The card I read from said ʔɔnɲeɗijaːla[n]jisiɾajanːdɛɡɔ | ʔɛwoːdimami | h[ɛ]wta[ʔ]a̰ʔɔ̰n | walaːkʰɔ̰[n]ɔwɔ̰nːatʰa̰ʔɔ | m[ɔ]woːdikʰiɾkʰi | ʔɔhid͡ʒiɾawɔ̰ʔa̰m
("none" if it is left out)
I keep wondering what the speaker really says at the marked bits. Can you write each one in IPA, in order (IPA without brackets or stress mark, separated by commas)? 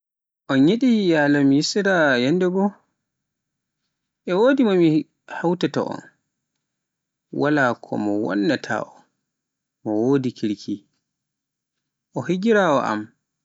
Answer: m, a, t, m, ɔ